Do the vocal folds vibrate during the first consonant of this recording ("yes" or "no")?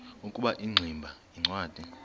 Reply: no